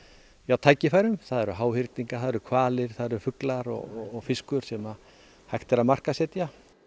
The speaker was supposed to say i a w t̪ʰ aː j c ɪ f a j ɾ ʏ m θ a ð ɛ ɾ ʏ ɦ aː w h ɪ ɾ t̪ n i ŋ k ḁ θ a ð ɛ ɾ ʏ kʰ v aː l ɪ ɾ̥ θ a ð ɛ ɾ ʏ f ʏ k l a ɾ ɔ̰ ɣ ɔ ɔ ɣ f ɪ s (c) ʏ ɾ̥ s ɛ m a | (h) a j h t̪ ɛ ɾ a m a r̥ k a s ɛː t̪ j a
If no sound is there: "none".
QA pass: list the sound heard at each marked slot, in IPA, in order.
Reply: k, h

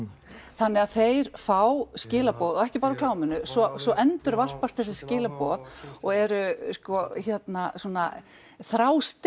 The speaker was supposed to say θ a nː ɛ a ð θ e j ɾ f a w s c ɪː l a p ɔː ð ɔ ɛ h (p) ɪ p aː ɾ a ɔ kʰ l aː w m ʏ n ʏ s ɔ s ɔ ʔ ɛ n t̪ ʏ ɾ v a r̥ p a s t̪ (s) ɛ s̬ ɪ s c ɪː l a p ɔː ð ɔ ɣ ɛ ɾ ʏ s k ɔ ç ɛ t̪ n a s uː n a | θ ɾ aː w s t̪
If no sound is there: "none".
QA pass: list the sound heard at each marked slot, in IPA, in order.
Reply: c, θ

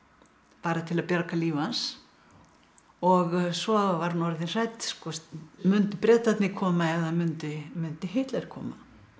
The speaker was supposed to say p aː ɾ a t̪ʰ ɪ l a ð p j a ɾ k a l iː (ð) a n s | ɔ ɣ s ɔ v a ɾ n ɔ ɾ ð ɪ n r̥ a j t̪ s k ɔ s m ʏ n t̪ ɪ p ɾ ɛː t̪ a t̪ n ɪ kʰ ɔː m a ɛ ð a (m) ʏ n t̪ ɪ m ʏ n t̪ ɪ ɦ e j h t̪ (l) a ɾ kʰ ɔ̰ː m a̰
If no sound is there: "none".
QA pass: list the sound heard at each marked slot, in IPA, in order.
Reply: v, m, l

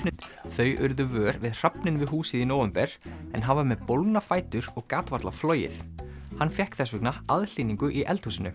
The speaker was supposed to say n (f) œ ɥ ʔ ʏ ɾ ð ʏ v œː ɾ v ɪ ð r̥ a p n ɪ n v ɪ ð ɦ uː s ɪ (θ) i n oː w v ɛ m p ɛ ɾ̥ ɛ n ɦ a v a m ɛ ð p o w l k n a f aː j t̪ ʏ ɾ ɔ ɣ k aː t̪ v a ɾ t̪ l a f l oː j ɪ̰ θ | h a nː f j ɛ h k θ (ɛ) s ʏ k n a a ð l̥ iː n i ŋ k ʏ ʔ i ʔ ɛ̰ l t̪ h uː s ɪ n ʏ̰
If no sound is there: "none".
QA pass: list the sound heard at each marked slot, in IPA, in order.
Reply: θ, ð, ɛ

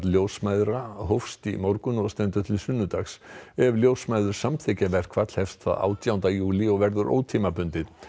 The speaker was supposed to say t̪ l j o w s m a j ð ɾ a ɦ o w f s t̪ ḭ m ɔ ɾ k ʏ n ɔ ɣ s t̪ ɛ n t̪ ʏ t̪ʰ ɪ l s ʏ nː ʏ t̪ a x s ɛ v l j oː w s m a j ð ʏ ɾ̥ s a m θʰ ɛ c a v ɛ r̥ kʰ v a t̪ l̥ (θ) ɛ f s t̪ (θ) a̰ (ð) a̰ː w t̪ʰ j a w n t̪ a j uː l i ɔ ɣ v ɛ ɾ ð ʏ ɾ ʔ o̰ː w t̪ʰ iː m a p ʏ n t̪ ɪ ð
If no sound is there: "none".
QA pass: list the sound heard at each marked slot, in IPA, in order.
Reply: h, θ, ð

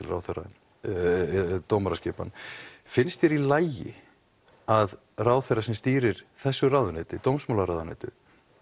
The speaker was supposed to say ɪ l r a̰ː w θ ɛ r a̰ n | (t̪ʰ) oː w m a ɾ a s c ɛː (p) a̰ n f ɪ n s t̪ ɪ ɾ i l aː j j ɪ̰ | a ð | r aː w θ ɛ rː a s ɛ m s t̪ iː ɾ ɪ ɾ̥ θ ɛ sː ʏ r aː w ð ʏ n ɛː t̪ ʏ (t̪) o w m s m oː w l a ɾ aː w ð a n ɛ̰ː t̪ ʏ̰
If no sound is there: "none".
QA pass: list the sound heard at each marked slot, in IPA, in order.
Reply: t̪, p, t̪

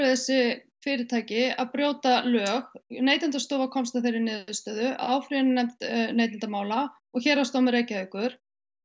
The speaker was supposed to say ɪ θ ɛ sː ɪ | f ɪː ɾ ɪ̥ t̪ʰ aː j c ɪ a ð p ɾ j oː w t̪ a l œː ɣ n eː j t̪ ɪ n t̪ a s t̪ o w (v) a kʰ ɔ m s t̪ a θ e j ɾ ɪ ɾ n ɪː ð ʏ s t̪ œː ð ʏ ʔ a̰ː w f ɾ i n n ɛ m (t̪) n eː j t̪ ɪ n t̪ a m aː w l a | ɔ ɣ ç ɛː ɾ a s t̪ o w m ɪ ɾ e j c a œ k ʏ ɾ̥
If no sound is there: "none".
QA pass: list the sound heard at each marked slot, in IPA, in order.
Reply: v, t̪

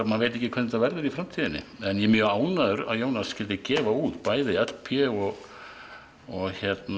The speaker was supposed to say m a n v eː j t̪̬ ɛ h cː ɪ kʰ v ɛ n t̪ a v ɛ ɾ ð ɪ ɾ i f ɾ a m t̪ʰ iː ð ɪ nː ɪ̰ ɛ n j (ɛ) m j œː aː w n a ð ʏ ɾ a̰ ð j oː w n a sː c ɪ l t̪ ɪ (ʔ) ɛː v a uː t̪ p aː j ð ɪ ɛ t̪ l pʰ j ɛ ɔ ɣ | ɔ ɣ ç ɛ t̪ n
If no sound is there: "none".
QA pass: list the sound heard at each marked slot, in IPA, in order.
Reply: ɛ, c

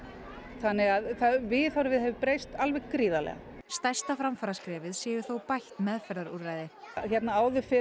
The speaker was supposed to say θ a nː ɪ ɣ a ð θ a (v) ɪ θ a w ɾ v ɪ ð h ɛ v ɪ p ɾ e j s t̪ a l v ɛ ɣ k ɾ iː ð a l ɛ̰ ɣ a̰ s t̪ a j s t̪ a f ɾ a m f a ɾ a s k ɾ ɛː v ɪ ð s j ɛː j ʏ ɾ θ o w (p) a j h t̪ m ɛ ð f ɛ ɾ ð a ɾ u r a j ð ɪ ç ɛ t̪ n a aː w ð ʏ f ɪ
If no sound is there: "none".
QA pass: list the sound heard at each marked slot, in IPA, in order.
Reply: v, p

